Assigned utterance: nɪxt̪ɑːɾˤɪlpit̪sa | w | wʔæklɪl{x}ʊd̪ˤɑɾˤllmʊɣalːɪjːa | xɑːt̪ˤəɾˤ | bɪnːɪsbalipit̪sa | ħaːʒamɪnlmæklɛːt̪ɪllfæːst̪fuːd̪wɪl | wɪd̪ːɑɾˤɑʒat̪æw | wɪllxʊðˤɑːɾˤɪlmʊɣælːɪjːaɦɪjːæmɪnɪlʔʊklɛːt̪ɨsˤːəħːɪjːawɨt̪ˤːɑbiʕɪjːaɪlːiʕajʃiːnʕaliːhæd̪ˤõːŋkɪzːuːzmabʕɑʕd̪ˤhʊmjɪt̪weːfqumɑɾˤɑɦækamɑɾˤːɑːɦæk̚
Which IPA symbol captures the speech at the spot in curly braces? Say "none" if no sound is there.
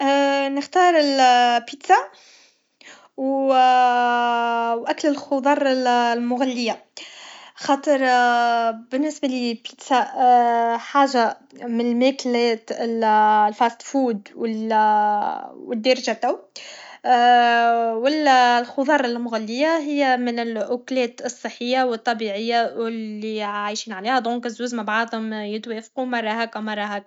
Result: x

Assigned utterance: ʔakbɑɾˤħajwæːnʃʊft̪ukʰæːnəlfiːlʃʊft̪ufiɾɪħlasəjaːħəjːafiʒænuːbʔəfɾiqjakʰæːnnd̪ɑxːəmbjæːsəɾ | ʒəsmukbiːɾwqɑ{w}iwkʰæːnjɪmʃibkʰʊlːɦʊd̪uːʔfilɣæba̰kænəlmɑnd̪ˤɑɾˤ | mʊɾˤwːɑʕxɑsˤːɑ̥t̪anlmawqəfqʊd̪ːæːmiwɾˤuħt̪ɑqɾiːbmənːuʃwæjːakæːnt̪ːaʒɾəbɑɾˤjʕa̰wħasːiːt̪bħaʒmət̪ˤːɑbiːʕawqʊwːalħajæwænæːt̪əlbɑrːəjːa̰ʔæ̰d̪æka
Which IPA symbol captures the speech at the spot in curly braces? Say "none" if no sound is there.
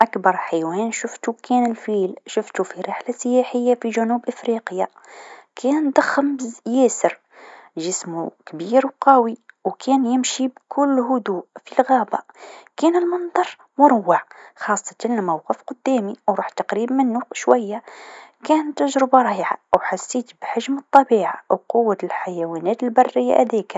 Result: w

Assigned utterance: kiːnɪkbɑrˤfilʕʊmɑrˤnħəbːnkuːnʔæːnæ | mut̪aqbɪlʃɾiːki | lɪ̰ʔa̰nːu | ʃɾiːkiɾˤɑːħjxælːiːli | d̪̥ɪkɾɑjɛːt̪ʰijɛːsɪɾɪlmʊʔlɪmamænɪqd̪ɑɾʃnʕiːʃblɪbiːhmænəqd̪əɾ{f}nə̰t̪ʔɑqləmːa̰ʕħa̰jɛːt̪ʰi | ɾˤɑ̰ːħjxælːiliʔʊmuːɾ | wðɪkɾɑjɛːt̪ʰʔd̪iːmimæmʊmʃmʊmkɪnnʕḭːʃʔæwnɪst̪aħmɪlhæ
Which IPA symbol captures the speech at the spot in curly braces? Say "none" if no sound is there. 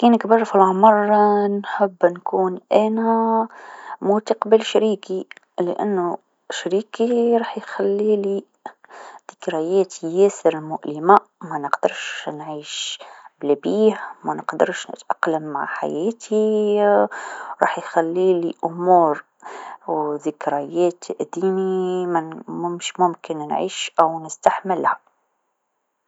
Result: ʃ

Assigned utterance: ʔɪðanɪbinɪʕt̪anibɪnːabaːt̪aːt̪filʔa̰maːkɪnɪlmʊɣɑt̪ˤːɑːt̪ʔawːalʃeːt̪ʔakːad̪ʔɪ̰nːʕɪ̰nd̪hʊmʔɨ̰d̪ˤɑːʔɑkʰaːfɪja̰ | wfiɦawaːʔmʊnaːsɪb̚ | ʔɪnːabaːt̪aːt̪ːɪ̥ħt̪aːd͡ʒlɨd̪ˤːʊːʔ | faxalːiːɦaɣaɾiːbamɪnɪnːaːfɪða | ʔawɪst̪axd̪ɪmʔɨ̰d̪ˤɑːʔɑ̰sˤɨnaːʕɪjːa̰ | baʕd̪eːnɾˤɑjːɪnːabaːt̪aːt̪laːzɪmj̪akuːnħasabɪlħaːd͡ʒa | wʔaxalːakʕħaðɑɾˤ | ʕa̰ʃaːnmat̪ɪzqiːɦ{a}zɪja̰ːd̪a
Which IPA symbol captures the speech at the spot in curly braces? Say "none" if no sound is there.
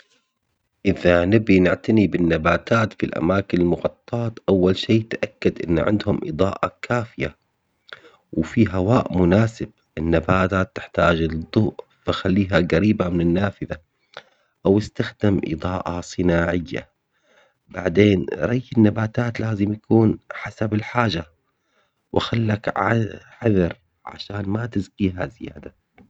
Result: a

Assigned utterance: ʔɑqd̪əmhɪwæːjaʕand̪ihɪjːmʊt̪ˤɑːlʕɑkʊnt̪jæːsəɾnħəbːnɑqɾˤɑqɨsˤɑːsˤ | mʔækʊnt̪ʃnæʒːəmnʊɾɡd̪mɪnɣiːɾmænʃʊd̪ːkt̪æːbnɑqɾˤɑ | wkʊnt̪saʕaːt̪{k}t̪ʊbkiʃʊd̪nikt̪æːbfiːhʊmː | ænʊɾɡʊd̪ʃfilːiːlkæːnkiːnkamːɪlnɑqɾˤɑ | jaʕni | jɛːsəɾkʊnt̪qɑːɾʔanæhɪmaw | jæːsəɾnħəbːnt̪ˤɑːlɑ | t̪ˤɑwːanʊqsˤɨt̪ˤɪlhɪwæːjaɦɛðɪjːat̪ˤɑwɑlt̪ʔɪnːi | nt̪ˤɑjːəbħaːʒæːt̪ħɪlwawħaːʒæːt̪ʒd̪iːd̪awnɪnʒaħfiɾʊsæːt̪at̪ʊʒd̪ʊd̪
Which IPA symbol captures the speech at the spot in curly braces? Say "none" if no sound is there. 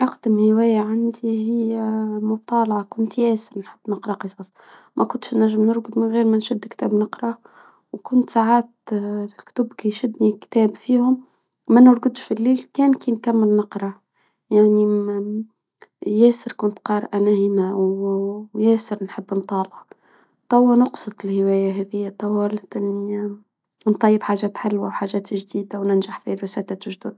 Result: k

